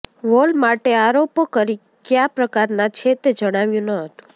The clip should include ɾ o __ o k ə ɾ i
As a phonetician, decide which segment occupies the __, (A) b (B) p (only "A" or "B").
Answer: B